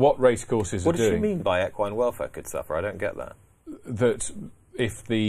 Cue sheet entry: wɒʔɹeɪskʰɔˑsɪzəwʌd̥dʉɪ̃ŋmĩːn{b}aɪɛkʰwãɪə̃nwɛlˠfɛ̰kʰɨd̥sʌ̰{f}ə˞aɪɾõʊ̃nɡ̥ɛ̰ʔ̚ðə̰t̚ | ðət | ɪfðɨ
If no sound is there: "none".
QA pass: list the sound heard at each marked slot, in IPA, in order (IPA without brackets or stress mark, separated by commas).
b, f